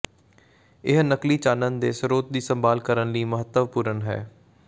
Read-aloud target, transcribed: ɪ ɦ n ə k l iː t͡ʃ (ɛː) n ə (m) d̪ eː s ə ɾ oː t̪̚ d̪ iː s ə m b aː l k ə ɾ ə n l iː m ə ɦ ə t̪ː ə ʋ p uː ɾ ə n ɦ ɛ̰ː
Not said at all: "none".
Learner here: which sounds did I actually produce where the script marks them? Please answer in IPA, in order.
aː, n

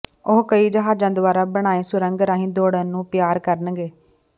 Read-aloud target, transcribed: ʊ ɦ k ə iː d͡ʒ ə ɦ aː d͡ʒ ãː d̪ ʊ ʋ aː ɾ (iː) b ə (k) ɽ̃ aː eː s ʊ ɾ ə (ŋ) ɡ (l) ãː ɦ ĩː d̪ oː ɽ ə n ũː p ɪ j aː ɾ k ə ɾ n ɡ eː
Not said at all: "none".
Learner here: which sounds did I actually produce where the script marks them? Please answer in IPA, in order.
aː, none, ŋ, ɾ

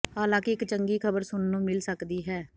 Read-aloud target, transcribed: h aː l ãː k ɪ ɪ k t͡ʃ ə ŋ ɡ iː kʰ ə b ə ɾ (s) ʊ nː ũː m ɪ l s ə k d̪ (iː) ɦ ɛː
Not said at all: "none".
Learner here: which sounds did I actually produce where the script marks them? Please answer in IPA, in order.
s, iː

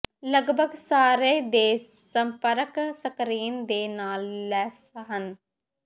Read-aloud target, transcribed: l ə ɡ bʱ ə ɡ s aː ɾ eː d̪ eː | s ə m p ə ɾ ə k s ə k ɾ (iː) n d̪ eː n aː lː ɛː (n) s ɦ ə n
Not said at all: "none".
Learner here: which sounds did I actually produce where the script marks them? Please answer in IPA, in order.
iː, none

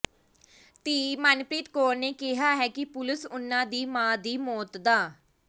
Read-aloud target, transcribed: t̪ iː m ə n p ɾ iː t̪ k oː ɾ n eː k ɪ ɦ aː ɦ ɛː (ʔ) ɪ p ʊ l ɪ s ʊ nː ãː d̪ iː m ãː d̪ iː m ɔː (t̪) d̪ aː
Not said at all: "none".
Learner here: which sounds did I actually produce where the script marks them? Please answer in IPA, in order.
k, t̪

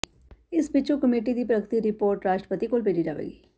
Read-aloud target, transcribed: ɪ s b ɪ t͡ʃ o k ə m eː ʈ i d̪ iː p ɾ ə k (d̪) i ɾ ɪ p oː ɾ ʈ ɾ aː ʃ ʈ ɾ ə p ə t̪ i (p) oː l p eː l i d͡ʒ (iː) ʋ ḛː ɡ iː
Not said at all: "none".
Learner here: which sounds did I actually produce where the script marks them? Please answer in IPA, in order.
t̪, k, aː

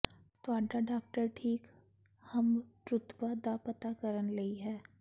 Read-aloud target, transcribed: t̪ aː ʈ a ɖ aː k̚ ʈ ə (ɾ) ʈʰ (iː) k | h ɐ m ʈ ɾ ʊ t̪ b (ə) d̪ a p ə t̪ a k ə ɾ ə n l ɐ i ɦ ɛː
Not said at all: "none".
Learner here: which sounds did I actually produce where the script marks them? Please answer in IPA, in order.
ɾ, iː, a

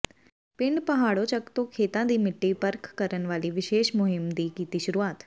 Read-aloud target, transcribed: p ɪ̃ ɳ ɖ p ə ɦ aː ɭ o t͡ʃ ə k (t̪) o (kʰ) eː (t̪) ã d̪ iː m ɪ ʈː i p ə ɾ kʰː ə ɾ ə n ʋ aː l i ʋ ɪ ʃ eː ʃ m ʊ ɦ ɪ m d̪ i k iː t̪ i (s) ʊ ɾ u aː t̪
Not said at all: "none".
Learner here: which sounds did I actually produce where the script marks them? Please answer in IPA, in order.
t̪, kʰ, t̪, ʃ

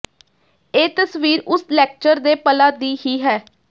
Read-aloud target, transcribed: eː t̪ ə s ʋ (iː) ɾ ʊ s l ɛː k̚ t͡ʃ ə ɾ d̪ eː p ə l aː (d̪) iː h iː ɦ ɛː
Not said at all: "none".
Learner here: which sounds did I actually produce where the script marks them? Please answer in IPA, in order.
iː, d̪

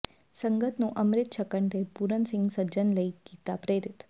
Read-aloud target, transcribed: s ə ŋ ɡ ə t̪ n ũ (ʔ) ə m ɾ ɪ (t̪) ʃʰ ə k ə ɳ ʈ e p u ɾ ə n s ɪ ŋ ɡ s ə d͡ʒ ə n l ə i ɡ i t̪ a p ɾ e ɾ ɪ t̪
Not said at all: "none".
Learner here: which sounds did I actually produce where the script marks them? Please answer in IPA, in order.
ʔ, t̪

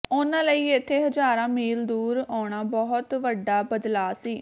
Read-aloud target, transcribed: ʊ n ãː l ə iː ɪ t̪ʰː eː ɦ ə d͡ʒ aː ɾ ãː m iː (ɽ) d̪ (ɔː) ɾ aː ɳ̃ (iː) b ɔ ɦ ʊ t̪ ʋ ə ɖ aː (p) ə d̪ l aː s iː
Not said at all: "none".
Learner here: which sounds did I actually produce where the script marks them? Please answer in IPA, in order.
l, uː, aː, b

